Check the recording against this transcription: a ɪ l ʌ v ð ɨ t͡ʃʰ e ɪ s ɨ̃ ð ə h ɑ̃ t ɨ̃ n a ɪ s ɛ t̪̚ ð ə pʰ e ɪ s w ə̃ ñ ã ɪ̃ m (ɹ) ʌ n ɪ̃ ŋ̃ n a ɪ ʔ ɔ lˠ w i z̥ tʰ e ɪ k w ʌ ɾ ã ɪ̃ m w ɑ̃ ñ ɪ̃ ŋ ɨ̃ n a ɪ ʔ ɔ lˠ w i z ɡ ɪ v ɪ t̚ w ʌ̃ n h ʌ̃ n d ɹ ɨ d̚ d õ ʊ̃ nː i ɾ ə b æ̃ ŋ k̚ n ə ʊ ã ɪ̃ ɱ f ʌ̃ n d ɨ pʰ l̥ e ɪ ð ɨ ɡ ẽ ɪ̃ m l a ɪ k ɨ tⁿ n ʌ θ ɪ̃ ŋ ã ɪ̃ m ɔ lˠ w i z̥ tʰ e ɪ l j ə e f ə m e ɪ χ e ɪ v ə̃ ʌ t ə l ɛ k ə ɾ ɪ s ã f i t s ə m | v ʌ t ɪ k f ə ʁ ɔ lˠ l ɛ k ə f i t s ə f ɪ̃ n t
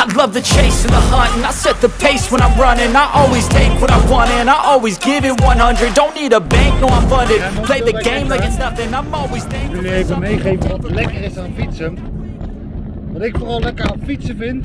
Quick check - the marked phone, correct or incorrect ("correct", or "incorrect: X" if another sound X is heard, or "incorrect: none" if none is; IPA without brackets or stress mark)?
correct